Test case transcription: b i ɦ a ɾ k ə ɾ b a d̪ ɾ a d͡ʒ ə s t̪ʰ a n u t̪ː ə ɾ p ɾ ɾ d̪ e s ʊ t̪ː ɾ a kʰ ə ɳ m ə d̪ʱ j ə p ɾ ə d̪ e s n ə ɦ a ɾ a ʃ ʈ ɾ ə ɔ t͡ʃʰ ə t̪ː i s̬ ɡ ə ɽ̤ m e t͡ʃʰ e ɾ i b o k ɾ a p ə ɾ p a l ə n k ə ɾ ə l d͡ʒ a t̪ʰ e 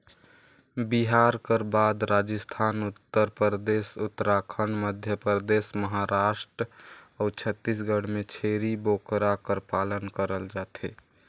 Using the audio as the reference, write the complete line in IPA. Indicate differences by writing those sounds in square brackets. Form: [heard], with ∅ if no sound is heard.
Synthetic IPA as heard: b i ɦ a ɾ k ə ɾ b a d̪ ɾ a d͡ʒ ə s t̪ʰ a n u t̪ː ə ɾ p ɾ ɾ d̪ e s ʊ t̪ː ɾ a kʰ ə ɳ m ə d̪ʱ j ə p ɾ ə d̪ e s [m] ə ɦ a ɾ a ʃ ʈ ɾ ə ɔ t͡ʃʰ ə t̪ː i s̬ ɡ ə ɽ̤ m e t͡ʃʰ e ɾ i b o k ɾ a [k] ə ɾ p a l ə n k ə ɾ ə l d͡ʒ a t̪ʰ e